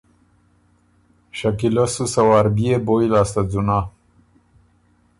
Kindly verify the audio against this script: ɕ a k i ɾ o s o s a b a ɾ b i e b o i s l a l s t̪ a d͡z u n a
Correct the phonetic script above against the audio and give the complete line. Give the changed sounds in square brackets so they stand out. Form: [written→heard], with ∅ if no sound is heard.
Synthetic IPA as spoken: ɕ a k i [ɾ→l] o s [o→u] s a [b→w] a ɾ b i e b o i [s→∅] l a [l→∅] s t̪ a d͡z u n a